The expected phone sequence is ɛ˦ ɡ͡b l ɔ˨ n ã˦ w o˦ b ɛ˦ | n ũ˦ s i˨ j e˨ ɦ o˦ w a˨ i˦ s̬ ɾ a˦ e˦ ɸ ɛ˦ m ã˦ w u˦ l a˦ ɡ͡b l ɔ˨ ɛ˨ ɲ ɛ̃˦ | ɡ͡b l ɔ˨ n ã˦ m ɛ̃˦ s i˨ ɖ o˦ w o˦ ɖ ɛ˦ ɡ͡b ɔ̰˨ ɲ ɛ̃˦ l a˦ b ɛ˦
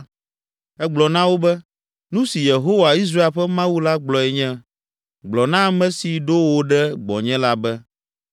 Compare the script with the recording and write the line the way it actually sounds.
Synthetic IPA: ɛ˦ ɡ͡b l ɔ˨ n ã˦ w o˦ b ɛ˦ | n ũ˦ s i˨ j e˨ ɦ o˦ w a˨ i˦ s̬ ɾ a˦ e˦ ɸ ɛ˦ m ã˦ w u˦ l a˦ ɡ͡b l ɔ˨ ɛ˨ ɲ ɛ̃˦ | ɡ͡b l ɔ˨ n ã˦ m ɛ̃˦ s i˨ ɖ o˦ w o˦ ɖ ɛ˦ ɡ͡b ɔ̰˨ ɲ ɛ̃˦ l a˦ b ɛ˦